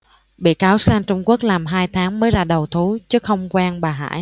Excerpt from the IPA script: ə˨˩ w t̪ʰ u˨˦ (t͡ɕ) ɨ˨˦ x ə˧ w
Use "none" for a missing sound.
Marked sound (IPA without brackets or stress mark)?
t͡ɕ